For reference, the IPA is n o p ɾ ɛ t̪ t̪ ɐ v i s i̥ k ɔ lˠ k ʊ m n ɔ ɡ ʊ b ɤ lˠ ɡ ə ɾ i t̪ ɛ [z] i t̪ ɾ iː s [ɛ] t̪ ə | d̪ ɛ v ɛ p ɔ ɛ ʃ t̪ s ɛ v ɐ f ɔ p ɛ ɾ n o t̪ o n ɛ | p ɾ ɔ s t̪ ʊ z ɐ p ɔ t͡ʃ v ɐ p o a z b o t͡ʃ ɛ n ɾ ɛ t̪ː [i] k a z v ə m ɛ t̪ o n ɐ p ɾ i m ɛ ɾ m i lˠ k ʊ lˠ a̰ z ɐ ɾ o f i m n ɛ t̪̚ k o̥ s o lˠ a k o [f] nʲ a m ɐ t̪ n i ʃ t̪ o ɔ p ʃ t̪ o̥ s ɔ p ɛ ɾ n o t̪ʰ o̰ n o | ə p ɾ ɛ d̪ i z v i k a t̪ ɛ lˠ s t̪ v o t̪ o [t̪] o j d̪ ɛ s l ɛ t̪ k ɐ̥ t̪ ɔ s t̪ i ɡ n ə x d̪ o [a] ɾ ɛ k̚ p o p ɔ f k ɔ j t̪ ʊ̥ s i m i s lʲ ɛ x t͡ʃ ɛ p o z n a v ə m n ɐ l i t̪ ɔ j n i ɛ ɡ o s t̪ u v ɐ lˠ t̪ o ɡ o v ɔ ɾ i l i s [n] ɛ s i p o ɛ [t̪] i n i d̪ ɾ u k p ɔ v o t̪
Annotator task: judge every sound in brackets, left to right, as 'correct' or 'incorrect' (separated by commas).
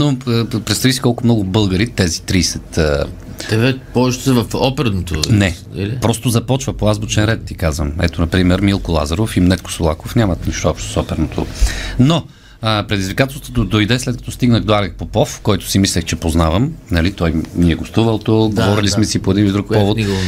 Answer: correct, correct, correct, correct, incorrect, correct, incorrect, incorrect